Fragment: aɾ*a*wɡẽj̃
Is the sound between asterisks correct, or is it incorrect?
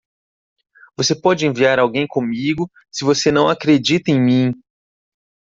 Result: correct